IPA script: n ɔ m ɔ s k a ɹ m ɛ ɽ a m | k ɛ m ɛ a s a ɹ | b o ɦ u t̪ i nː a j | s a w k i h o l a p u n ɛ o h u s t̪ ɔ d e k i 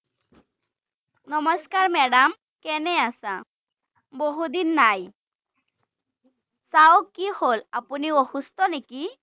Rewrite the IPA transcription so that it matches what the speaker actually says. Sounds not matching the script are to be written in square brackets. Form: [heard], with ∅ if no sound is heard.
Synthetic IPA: n ɔ m ɔ s k a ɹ m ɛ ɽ a m | k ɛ [n] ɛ a s a [∅] | b o ɦ u [d̪] i nː a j | s a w k i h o l a p u n [i] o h u s t̪ ɔ [n] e k i

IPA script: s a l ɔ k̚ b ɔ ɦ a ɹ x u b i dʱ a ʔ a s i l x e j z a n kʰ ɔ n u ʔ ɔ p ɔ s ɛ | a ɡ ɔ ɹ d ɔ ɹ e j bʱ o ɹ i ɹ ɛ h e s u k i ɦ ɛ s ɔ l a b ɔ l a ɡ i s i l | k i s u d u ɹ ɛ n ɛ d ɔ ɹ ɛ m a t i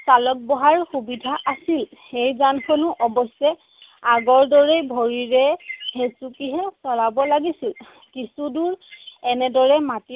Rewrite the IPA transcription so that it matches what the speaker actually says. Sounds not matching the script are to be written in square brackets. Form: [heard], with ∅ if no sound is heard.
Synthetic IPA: s a l ɔ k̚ b ɔ ɦ a ɹ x u b i dʱ a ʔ a s i l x e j z a n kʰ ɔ n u ʔ ɔ [b] ɔ s ɛ | a ɡ ɔ ɹ d ɔ ɹ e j bʱ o ɹ i ɹ ɛ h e s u k i ɦ ɛ s ɔ l a b ɔ l a ɡ i s i l | k i s u d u ɹ ɛ n ɛ d ɔ ɹ ɛ m a t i

